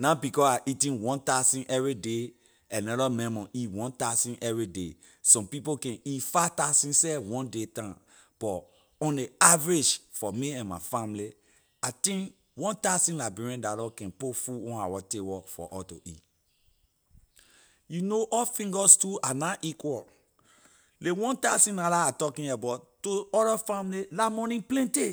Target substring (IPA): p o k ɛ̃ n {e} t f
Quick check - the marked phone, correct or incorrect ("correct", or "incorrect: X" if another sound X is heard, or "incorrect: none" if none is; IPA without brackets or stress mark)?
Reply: incorrect: i